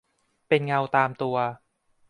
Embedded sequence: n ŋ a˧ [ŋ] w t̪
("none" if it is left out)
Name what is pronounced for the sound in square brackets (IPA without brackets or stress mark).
none